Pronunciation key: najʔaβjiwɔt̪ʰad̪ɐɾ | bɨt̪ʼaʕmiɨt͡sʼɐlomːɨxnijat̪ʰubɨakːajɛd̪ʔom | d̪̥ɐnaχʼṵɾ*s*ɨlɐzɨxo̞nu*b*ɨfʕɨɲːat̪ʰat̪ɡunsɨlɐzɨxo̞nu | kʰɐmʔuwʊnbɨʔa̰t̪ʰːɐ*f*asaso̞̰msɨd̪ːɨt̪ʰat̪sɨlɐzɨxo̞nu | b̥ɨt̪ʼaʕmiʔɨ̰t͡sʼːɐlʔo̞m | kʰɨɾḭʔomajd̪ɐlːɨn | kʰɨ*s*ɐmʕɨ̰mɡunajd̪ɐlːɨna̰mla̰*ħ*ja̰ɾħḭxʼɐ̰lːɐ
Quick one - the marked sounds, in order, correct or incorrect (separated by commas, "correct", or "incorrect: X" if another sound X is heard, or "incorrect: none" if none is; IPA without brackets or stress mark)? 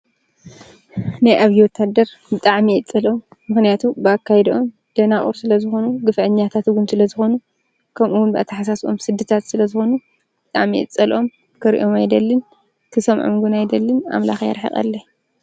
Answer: correct, incorrect: ɡ, incorrect: ħ, correct, incorrect: x